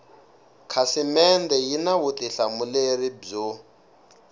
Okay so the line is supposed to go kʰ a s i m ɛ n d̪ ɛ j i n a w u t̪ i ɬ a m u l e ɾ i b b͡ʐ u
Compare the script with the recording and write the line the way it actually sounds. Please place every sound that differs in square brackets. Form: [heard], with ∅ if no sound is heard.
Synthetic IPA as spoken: kʰ a s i m ɛ n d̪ ɛ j i n a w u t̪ i ɬ a m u l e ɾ i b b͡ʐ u